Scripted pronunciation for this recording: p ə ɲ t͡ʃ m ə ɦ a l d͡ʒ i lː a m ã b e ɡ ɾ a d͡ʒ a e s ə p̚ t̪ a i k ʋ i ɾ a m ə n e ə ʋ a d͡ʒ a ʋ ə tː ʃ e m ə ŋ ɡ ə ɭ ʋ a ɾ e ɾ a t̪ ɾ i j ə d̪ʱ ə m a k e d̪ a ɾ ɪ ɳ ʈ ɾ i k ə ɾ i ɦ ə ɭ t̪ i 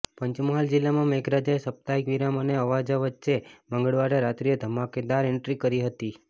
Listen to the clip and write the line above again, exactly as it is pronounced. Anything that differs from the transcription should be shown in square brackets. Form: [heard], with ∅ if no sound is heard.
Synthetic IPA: p ə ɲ t͡ʃ m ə ɦ a l d͡ʒ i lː a m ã [m] e ɡ ɾ a d͡ʒ a e s ə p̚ t̪ a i k ʋ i ɾ a m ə n e ə ʋ a d͡ʒ a ʋ ə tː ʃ e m ə ŋ ɡ ə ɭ ʋ a ɾ e ɾ a t̪ ɾ i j ə d̪ʱ ə m a k e d̪ a ɾ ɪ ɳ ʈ ɾ i k ə ɾ i ɦ ə [∅] t̪ i